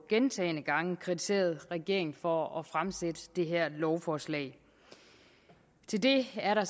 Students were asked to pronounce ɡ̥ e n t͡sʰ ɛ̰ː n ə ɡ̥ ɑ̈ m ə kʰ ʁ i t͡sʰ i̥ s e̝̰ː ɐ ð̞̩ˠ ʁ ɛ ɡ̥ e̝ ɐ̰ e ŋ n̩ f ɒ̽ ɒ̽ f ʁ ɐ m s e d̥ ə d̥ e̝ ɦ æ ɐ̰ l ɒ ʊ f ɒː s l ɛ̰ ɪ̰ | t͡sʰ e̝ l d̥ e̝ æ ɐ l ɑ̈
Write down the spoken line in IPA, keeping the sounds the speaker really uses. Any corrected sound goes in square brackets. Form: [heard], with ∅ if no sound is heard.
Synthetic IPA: ɡ̥ e n t͡sʰ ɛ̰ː n ə ɡ̥ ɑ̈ [ŋ] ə kʰ ʁ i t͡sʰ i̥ s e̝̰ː ɐ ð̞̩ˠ ʁ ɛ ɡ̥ e̝ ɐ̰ e ŋ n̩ f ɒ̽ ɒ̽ f ʁ [a] m s e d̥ ə d̥ e̝ ɦ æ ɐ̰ l ɒ ʊ f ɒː s l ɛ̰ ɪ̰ | t͡sʰ e̝ l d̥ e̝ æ ɐ [ɾ] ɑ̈